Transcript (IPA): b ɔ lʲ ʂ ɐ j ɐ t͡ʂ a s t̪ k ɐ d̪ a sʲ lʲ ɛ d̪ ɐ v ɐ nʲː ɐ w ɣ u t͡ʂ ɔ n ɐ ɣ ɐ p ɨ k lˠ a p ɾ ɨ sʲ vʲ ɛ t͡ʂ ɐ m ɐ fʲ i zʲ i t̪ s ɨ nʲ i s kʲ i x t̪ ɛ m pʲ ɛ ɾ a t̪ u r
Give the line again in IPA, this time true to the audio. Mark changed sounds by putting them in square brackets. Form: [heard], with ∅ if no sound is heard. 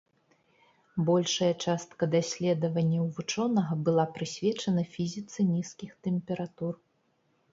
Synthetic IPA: b ɔ lʲ ʂ ɐ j ɐ t͡ʂ a s t̪ k ɐ d̪ a sʲ lʲ ɛ d̪ ɐ v ɐ nʲː ɐ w [v] u t͡ʂ ɔ n ɐ ɣ ɐ [b] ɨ [∅] lˠ a p ɾ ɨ sʲ vʲ ɛ t͡ʂ ɐ [n] ɐ fʲ i zʲ i t̪ s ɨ nʲ i s kʲ i x t̪ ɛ m pʲ ɛ ɾ a t̪ u r